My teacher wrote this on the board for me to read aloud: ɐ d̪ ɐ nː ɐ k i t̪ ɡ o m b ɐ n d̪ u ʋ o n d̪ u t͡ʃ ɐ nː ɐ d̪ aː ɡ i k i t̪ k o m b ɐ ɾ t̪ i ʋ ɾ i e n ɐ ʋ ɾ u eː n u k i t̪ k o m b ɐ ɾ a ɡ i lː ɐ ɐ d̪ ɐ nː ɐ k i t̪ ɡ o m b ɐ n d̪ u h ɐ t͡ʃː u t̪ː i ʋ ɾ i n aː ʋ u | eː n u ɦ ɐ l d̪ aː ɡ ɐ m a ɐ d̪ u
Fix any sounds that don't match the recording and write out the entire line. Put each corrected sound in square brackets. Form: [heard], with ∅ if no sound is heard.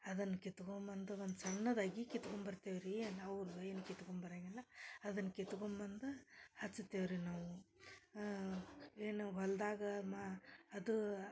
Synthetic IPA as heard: ɐ d̪ ɐ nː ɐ k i t̪ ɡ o m b ɐ n d̪ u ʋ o n d̪ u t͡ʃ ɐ nː ɐ d̪ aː ɡ i k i t̪ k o m b ɐ ɾ t̪ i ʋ ɾ i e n ɐ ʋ ɾ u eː n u k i t̪ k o m b ɐ ɾ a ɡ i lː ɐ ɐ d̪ ɐ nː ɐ k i t̪ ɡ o m b ɐ n d̪ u h ɐ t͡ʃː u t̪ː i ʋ ɾ i n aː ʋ u | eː n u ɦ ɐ l d̪ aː ɡ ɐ m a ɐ d̪ u